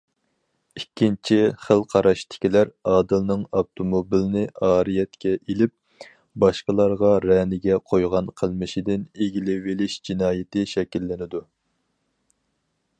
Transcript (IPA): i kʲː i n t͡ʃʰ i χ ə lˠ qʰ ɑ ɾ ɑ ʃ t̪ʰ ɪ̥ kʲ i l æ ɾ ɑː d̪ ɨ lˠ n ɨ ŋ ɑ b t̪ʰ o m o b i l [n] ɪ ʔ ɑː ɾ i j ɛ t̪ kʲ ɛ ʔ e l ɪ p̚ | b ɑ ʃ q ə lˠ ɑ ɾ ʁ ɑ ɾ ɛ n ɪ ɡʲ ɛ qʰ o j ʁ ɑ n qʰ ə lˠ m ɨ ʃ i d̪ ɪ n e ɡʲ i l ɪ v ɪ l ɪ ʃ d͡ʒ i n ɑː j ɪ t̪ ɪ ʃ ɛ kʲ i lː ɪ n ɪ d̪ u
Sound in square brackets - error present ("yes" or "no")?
no